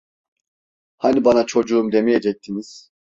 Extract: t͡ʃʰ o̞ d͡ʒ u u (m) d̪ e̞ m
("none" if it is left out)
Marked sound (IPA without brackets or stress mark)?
m